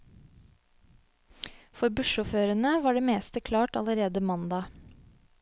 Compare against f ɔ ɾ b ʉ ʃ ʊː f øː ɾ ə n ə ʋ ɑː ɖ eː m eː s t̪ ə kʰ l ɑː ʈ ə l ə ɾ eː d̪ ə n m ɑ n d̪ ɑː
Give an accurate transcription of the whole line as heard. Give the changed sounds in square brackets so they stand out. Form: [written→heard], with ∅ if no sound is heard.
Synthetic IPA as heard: f ɔ ɾ b ʉ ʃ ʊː f øː ɾ ə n ə ʋ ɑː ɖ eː m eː s t̪ ə kʰ l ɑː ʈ [ə→ɑ] l ə ɾ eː d̪ ə [n→∅] m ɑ n d̪ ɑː